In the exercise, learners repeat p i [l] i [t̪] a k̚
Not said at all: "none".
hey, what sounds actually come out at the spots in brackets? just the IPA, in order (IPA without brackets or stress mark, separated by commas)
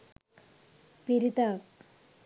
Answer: ɾ, t̪